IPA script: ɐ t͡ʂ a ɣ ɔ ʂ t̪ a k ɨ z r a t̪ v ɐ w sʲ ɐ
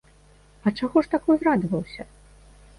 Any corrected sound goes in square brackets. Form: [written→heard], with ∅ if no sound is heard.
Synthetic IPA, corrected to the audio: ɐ t͡ʂ a ɣ ɔ ʂ t̪ a k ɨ z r a [t̪→d̪] v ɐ w sʲ ɐ